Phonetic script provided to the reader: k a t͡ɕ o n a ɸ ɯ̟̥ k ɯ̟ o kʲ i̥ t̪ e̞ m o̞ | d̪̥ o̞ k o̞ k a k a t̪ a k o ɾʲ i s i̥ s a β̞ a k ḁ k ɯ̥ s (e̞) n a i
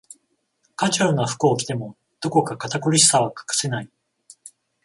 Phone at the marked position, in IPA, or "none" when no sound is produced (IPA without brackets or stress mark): e̞